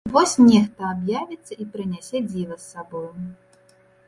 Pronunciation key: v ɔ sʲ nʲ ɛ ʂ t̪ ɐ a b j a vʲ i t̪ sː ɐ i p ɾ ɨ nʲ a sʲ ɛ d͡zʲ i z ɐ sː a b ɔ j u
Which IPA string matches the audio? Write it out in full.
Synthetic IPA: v ɔ sʲ nʲ ɛ x t̪ ɐ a b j a vʲ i t̪ sː ɐ i p ɾ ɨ nʲ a sʲ ɛ d͡zʲ i v ɐ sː a b ɔ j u